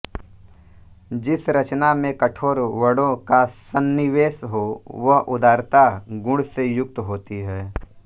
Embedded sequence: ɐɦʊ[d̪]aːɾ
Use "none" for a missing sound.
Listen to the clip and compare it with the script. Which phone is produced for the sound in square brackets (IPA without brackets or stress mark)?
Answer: d̪